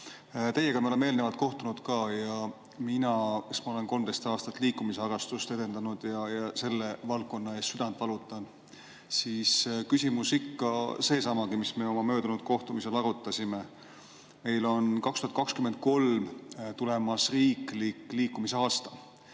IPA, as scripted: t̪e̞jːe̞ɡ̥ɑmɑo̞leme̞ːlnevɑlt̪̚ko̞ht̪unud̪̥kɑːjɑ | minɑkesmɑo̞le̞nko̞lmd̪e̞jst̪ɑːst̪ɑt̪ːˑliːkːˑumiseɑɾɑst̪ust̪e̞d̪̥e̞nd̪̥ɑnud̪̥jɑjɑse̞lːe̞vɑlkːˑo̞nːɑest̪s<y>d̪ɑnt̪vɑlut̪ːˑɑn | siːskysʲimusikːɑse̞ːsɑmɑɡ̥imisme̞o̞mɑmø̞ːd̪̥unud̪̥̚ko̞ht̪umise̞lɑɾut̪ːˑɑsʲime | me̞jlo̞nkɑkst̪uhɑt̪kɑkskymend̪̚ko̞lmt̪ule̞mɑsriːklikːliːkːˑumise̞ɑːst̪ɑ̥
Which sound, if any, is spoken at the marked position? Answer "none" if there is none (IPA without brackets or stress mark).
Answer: y